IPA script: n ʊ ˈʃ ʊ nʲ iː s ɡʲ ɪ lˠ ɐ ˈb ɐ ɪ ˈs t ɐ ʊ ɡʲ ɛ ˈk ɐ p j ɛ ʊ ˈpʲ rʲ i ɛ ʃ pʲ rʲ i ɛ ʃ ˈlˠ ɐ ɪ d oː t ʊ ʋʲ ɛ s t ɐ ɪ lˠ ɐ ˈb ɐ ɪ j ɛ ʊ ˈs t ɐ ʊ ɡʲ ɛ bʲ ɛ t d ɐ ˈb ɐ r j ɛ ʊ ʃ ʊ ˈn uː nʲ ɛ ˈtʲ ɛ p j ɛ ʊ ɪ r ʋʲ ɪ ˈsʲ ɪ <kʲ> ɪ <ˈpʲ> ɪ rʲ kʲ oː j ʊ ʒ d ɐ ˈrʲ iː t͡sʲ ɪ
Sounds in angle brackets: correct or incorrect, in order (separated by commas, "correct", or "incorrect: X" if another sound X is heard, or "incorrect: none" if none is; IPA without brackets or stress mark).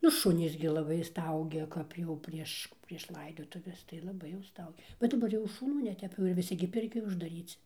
incorrect: ɡʲ, correct